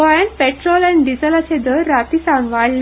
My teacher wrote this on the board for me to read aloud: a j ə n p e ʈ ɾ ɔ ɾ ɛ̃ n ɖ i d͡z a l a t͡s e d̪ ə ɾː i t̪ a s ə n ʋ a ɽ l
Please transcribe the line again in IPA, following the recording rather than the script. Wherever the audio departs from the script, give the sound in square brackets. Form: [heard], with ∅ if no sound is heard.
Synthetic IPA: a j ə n p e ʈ ɾ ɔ [l] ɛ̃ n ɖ i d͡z [ə] l a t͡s e d̪ ə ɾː [a] t̪ [i] s [a] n ʋ a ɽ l